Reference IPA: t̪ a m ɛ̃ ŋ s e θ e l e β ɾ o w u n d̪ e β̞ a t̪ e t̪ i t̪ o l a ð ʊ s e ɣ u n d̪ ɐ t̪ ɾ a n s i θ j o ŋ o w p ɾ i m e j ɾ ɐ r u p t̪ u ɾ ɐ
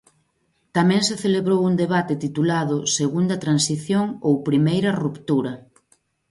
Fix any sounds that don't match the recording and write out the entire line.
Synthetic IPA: t̪ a m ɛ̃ ŋ s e θ e l e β ɾ o w u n d̪ e β̞ a t̪ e t̪ i t̪ u l a ð ʊ s e ɣ u n d̪ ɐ t̪ ɾ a n s i θ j o ŋ o w p ɾ i m e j ɾ ɐ r u p t̪ u ɾ ɐ